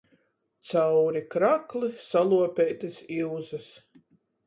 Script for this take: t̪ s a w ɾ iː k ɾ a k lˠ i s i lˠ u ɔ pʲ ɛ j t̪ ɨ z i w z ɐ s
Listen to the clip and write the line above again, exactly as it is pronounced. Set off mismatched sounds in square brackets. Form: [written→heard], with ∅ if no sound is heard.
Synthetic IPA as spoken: t̪ s a w ɾ [iː→i] k ɾ a k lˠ i s [i→a] lˠ u ɔ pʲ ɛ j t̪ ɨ [z→s] i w z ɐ s